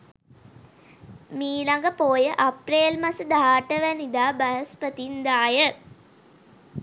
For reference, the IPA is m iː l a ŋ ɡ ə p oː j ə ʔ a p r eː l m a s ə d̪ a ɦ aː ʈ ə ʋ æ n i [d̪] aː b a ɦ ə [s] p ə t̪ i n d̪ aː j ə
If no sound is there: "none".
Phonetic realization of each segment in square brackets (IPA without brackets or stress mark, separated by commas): d̪, s